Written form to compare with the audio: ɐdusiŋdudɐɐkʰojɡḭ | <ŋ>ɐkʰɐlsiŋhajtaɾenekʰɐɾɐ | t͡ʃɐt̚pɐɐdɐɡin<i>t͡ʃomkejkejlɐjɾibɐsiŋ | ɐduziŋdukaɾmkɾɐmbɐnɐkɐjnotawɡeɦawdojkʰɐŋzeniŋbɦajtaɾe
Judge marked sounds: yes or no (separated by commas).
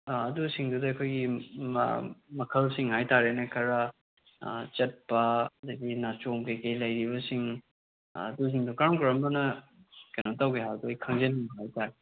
no, no